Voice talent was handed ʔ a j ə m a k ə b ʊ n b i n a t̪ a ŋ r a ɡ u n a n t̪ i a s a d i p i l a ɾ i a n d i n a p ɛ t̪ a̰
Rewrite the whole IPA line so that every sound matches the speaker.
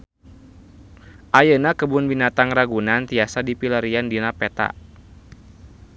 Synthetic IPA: ʔ a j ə n a k ə b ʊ n b i n a t̪ a ŋ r a ɡ u n a n t̪ i a s a d i p i l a ɾ i a n d i n a p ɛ t̪ a̰